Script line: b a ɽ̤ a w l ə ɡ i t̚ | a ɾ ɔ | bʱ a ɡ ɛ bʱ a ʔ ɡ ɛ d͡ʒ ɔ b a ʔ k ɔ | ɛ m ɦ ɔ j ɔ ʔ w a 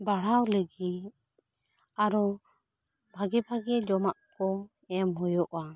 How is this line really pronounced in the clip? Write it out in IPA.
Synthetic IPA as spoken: b a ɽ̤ a w l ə ɡ i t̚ | a ɾ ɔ | bʱ a ɡ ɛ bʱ a ɡ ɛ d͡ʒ ɔ m a ʔ k ɔ | ɛ m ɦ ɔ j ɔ ʔ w a